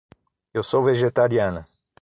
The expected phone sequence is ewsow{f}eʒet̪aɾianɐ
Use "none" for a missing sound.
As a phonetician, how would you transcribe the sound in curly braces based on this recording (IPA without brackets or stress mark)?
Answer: v